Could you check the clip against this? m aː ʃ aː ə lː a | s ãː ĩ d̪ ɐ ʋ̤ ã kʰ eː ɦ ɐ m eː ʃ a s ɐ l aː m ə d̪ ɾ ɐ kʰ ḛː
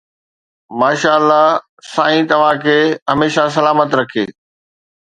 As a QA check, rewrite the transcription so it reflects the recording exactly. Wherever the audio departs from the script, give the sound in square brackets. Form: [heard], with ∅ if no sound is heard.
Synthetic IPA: m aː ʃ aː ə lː a | s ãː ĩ [t̪] ɐ ʋ̤ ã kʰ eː ɦ ɐ m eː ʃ a s ɐ l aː m ə [t̪] ɾ ɐ kʰ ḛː